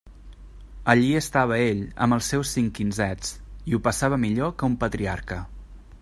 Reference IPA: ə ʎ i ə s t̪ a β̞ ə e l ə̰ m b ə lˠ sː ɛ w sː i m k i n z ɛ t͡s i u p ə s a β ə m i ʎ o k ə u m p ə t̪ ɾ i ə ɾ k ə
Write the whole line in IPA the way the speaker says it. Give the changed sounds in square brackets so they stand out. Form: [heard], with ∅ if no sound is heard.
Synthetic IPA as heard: ə ʎ i ə s t̪ a β̞ ə e [ʎ] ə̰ m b ə lˠ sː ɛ w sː i [ŋ] k i n z ɛ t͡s i u p ə s a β ə m i ʎ o k ə u m p ə t̪ ɾ i [a] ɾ k ə